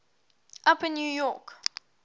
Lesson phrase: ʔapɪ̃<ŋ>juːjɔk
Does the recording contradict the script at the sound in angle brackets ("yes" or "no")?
yes